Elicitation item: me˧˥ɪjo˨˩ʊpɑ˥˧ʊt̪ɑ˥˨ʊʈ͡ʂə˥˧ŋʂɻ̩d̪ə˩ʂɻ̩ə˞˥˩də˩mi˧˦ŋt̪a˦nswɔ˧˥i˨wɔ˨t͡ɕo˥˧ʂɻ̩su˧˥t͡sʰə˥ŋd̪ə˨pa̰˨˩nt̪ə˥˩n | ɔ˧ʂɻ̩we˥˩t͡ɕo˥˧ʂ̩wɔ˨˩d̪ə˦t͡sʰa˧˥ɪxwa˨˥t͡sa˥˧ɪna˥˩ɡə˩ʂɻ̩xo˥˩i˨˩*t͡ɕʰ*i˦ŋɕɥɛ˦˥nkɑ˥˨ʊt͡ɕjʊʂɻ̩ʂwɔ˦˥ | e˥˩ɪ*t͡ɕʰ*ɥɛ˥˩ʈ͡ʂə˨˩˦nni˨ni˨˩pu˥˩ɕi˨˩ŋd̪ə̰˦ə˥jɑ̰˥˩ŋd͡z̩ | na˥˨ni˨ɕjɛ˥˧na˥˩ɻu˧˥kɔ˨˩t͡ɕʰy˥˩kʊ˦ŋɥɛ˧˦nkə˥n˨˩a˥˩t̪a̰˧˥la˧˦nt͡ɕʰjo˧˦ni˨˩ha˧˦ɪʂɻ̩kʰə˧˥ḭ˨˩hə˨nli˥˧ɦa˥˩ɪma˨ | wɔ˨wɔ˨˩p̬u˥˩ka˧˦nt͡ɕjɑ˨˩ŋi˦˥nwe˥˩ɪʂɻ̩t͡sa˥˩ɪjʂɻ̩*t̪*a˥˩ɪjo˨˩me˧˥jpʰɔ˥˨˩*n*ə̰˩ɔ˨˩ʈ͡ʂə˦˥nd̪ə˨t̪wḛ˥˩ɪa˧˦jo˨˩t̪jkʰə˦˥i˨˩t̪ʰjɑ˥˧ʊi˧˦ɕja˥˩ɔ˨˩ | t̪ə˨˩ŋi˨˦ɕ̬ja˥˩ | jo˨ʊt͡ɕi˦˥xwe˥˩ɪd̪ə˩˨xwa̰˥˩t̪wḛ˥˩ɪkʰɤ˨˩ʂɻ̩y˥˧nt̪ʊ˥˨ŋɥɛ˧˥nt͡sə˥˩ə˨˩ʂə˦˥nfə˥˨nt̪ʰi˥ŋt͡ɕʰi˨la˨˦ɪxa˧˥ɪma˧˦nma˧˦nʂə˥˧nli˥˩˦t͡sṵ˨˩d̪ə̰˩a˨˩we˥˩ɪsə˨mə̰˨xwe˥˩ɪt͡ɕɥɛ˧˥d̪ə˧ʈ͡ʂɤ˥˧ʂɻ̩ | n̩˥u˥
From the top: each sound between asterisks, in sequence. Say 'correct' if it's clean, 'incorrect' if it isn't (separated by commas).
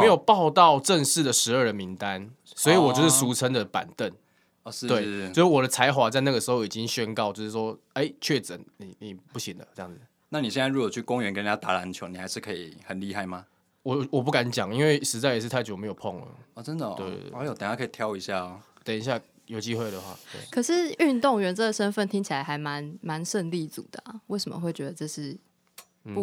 incorrect, correct, incorrect, incorrect